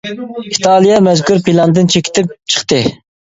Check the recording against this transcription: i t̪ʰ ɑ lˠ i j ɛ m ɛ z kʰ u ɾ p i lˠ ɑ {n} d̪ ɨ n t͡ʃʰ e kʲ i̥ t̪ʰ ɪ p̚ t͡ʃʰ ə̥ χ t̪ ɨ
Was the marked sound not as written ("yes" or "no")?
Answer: no